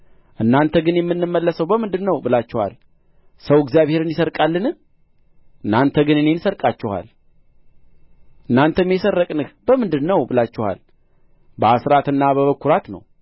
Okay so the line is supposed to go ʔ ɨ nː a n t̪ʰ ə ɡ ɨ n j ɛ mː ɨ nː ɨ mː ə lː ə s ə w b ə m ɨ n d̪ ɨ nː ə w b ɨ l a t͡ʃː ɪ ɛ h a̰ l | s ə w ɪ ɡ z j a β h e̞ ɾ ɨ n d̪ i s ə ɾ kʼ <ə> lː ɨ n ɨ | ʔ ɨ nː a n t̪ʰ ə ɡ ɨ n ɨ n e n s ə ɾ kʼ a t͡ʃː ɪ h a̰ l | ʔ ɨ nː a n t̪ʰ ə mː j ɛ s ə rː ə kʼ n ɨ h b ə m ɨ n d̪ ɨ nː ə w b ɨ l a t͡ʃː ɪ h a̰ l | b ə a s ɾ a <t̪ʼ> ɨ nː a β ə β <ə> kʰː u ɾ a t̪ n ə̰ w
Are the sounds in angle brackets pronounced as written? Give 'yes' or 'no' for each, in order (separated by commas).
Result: no, no, yes